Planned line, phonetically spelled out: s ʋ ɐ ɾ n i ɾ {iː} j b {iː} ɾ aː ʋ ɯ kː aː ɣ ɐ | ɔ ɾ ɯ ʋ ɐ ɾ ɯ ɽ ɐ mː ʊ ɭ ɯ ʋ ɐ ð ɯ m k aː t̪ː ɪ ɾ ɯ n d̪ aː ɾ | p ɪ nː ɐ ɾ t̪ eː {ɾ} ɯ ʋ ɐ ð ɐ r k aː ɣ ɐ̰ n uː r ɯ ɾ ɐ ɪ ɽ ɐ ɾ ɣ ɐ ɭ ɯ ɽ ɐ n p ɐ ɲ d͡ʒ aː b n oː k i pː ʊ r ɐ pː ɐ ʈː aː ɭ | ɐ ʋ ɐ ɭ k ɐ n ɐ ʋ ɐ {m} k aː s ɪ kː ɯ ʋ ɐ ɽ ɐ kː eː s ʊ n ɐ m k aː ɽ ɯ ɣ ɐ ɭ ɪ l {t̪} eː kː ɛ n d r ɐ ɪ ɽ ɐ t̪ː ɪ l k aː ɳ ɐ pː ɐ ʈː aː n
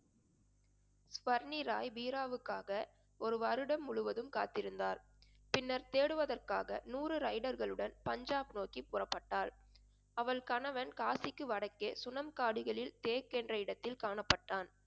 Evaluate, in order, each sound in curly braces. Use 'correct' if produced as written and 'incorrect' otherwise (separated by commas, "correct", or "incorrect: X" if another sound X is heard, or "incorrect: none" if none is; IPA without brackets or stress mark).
incorrect: aː, correct, incorrect: ɽ, incorrect: n, correct